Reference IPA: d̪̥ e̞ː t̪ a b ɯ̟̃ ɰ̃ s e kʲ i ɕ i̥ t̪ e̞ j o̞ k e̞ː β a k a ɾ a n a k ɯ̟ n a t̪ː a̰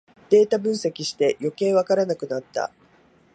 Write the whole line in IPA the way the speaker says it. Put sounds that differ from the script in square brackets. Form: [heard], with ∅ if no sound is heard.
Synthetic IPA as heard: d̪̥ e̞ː t̪ a b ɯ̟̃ ɰ̃ s e kʲ i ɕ i̥ t̪ e̞ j o̞ k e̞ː β a k a ɾ a n a k ɯ̟ n a t̪ː a̰